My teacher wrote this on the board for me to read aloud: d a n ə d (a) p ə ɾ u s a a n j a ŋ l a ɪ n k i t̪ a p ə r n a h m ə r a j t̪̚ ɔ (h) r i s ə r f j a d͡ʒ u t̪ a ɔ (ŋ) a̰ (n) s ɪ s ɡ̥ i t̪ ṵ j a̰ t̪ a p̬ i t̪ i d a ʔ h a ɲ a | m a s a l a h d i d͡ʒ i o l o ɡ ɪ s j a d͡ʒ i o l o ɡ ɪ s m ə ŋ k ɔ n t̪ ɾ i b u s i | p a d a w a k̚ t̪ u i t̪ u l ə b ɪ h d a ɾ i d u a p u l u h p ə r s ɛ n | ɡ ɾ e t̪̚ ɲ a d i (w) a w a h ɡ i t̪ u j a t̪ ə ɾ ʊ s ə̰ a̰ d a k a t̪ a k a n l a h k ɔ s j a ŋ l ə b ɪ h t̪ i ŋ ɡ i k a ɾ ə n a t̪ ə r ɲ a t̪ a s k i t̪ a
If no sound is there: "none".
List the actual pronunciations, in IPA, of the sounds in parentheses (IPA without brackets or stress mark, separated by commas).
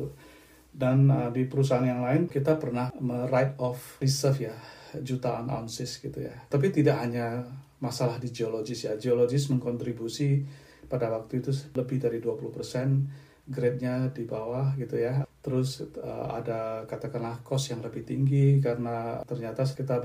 i, f, n, n, b